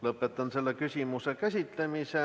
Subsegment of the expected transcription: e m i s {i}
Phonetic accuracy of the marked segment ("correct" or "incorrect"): incorrect